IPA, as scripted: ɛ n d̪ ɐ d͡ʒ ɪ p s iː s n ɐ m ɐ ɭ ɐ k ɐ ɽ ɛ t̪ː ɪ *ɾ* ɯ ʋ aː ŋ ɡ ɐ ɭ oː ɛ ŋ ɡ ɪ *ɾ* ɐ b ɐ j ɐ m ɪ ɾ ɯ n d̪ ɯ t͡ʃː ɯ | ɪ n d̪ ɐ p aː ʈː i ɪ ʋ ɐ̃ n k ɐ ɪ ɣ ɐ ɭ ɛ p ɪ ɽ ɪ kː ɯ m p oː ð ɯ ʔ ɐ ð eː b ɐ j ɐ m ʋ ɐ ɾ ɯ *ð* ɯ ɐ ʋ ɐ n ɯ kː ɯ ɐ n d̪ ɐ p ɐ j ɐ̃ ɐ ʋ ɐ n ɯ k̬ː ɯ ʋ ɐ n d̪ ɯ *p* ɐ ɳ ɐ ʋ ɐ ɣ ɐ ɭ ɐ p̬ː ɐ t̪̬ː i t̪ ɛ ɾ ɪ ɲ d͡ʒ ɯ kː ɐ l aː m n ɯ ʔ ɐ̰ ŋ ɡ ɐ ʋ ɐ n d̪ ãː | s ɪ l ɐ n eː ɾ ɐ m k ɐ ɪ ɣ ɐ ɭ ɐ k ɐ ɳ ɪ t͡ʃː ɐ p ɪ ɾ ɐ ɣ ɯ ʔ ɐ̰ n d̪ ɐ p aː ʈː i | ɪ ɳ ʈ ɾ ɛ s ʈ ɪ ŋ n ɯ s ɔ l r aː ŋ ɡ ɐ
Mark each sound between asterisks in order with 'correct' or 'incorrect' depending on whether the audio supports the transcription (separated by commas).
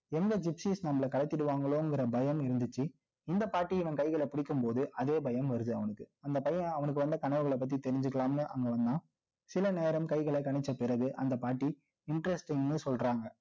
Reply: incorrect, correct, correct, incorrect